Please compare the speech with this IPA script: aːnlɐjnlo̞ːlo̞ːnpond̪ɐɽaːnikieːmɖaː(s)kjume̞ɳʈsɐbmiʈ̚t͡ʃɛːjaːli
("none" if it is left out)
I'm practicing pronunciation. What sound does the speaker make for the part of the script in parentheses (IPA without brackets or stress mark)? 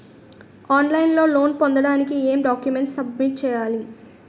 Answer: none